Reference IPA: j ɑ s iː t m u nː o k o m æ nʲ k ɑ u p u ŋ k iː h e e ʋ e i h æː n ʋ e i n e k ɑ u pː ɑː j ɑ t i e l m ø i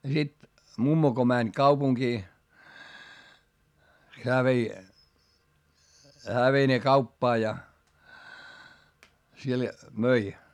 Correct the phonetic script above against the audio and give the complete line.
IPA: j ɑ s i t m u mː o k o m æ nʲ k ɑ u p u ŋ k iː h e æ ʋ e i h æː ʋ e i n e k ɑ u pː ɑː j ɑ s i e l m ø i